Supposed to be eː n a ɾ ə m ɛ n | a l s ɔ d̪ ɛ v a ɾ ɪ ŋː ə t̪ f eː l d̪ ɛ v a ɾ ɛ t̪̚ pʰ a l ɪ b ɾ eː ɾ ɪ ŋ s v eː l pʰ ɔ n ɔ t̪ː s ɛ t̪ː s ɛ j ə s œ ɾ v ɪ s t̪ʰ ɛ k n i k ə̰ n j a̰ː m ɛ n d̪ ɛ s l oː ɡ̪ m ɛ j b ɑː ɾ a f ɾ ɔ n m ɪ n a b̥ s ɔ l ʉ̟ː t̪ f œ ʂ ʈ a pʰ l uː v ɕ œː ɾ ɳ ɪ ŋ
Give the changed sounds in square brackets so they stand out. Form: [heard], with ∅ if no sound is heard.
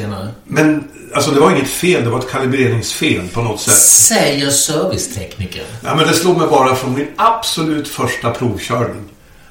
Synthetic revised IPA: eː n a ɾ ə m ɛ n | a l s ɔ d̪ ɛ v a ɾ ɪ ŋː ə t̪ f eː l d̪ ɛ v a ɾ ɛ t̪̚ [kʰ] a l ɪ b ɾ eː ɾ ɪ ŋ s [f] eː l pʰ ɔ n ɔ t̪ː s ɛ t̪ː s ɛ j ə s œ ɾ v ɪ s t̪ʰ ɛ k n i k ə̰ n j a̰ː m ɛ n d̪ ɛ s l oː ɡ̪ m ɛ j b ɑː ɾ a f ɾ ɔ n m ɪ n a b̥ s ɔ l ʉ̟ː t̪ f œ ʂ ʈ a pʰ [ɾ] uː v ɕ œː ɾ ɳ ɪ ŋ